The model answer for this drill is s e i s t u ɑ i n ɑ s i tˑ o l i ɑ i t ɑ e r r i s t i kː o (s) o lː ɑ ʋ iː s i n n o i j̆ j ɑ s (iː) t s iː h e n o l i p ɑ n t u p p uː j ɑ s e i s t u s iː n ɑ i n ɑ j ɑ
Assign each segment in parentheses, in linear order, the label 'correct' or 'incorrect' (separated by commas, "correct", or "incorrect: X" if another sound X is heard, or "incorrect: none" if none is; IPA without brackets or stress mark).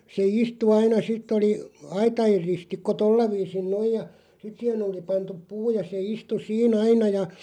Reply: incorrect: t, incorrect: i